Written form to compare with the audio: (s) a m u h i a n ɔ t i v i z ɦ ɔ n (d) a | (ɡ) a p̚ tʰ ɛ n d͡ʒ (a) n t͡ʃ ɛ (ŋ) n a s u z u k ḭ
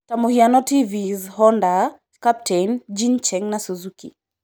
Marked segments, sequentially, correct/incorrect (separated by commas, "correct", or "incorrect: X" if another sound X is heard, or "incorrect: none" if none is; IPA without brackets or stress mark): incorrect: t, correct, incorrect: k, incorrect: i, correct